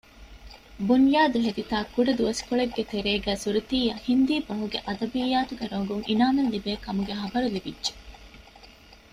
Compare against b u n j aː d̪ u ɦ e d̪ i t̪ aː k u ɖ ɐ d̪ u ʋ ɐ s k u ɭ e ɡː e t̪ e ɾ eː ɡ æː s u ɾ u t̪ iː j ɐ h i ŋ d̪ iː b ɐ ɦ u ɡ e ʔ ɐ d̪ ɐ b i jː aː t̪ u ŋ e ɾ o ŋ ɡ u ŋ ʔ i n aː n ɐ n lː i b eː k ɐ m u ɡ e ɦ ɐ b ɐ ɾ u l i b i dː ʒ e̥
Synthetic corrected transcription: b u n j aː d̪ u ɦ e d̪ i t̪ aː k u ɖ ɐ d̪ u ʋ ɐ s k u ɭ e ɡː e t̪ e ɾ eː ɡ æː s u ɾ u t̪ iː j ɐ h i n d̪ iː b ɐ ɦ u ɡ e ʔ ɐ d̪ ɐ b i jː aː t̪ u ɡ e ɾ o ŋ ɡ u ŋ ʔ i n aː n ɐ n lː i b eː k ɐ m u ɡ e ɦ ɐ b ɐ ɾ u l i b i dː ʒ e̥